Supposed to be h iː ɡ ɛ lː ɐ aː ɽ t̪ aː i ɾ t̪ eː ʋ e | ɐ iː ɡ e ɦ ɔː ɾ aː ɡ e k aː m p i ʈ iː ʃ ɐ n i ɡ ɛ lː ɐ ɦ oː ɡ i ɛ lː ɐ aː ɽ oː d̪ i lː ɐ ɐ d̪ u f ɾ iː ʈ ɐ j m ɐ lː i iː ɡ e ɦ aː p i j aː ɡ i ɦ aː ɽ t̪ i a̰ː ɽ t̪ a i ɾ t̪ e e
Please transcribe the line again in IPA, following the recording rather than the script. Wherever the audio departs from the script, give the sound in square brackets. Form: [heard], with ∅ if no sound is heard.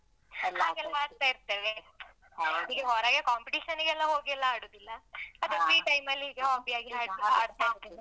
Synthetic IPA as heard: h [aː] ɡ ɛ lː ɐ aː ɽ t̪ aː i ɾ t̪ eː ʋ e | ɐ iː ɡ e ɦ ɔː ɾ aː ɡ e k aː m p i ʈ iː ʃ ɐ n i ɡ ɛ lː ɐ ɦ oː ɡ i ɛ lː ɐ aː ɽ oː d̪ i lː ɐ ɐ d̪ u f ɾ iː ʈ ɐ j m ɐ lː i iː ɡ e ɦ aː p i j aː ɡ i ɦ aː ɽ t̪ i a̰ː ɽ t̪ a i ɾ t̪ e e

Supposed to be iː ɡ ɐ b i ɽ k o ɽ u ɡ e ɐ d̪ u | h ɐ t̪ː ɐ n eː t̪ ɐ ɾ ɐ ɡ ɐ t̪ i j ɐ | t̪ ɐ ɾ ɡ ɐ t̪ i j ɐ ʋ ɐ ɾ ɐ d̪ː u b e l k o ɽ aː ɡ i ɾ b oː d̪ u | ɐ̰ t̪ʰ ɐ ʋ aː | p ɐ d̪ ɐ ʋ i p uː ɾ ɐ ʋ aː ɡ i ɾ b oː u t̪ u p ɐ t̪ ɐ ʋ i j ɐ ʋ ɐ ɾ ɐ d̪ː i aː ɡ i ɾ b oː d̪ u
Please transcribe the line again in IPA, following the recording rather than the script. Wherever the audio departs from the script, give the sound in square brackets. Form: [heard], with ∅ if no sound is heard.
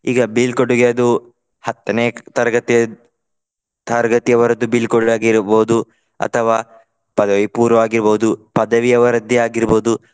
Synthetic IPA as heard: iː ɡ ɐ b i [l] k o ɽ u ɡ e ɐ d̪ u | h ɐ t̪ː ɐ n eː t̪ ɐ ɾ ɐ ɡ ɐ t̪ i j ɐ | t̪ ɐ ɾ ɡ ɐ t̪ i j ɐ ʋ ɐ ɾ ɐ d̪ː u b [i] l k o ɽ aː ɡ i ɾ b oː d̪ u | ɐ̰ t̪ʰ ɐ ʋ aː | p ɐ d̪ ɐ ʋ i p uː ɾ ɐ ʋ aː ɡ i ɾ b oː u [d̪] u p ɐ [d̪] ɐ ʋ i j ɐ ʋ ɐ ɾ ɐ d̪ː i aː ɡ i ɾ b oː d̪ u

